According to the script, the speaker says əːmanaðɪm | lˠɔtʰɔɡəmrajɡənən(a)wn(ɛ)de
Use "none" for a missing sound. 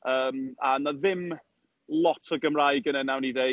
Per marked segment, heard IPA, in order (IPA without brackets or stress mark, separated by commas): a, i